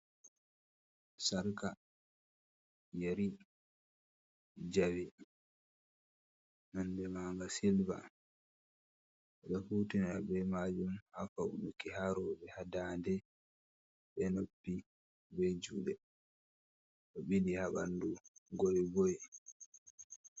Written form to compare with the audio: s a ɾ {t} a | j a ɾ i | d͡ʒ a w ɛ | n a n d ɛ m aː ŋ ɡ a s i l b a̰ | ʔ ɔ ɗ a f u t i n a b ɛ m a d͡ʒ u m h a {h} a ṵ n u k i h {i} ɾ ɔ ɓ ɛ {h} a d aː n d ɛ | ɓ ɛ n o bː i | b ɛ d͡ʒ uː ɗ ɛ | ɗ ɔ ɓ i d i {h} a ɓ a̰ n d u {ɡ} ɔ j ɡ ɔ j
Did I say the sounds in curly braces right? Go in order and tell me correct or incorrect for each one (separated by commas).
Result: incorrect, incorrect, incorrect, correct, correct, correct